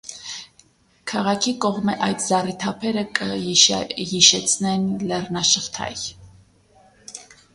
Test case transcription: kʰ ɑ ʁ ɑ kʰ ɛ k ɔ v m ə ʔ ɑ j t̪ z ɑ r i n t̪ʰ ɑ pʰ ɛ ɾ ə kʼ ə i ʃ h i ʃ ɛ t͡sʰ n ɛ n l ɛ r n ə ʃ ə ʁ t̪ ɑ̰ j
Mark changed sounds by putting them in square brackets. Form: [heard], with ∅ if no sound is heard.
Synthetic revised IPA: kʰ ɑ ʁ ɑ kʰ [i] k ɔ [ʁ] m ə ʔ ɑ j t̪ z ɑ r i [∅] t̪ʰ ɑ pʰ ɛ ɾ ə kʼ ə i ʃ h i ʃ ɛ t͡sʰ n ɛ n l ɛ r n [ɑ] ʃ ə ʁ [t̪ʰ] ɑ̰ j